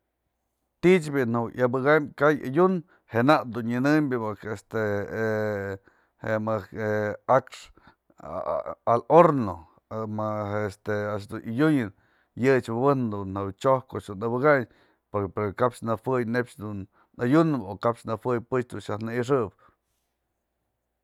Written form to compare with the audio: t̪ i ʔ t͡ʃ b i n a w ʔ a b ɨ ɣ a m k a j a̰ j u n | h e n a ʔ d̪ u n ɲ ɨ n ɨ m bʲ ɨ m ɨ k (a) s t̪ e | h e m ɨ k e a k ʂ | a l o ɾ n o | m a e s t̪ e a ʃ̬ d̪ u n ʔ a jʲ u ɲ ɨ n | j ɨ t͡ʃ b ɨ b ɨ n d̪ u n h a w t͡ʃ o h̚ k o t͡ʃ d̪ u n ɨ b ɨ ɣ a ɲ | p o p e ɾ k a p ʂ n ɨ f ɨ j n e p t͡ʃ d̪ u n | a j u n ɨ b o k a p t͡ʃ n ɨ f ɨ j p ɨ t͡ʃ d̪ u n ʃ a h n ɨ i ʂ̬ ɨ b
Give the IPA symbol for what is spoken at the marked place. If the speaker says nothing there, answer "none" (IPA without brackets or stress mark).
e